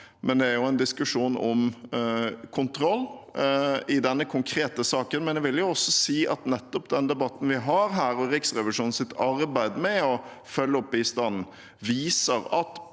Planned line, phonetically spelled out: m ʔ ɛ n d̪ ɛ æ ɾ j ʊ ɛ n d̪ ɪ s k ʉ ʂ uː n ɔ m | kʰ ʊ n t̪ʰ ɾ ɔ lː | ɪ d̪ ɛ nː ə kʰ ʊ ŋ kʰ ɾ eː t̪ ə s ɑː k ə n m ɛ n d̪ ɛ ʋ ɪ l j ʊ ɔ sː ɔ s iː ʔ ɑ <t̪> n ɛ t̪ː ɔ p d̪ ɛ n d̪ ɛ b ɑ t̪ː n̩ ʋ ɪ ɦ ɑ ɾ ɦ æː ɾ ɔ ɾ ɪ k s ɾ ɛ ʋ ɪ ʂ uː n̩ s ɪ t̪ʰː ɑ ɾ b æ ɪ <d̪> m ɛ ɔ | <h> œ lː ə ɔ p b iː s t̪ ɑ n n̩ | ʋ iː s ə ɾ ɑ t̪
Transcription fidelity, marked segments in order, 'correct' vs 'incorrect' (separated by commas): correct, correct, incorrect